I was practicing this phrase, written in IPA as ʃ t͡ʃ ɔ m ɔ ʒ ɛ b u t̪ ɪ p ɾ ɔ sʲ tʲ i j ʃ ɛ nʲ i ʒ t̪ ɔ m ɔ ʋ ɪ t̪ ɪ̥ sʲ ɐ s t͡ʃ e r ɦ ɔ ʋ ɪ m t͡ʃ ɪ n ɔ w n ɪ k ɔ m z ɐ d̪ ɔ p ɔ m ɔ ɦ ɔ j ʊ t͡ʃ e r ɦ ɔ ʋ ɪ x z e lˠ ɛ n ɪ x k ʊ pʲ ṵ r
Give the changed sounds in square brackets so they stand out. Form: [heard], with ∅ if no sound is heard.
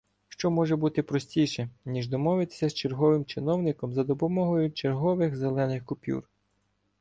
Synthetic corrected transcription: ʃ t͡ʃ ɔ m ɔ ʒ ɛ b u t̪ ɪ p ɾ ɔ sʲ tʲ i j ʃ ɛ nʲ i ʒ [d̪] ɔ m ɔ ʋ ɪ t̪ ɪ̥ sʲ ɐ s t͡ʃ e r ɦ ɔ ʋ ɪ m t͡ʃ ɪ n ɔ w n ɪ k ɔ m z ɐ d̪ ɔ p ɔ m ɔ ɦ ɔ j ʊ t͡ʃ e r ɦ ɔ ʋ ɪ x z e lˠ ɛ n ɪ x k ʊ pʲ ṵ r